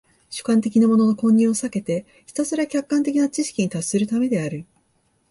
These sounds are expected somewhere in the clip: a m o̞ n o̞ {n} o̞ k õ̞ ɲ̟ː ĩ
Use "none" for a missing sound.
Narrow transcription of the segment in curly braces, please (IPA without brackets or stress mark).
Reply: n